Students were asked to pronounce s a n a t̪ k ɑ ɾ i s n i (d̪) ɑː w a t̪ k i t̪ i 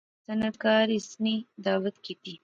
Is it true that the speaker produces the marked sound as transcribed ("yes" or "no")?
yes